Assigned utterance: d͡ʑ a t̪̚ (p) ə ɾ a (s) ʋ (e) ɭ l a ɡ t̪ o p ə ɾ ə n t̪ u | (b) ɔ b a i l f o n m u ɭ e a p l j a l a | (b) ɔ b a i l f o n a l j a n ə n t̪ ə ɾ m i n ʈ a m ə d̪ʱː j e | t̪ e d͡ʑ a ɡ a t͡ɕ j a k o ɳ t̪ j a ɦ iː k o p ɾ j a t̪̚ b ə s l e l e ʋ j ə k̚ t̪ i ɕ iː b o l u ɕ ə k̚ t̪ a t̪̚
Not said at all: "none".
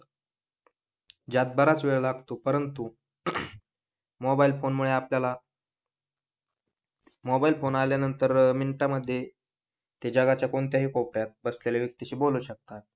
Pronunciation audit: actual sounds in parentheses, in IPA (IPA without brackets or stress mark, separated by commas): b, t͡s, e, m, m